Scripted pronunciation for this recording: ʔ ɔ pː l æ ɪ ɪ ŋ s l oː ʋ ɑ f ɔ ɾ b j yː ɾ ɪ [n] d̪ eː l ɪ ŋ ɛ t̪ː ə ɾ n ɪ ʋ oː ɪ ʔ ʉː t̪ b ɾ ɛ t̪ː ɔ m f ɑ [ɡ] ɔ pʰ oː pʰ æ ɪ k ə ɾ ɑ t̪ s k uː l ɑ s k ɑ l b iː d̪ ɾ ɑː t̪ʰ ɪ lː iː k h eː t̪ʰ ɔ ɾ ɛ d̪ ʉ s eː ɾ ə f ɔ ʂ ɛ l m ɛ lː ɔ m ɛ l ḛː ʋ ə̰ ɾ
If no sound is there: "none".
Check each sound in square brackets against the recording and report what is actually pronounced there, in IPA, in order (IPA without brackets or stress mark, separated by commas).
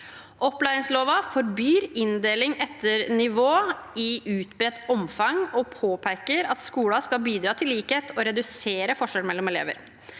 n, ŋ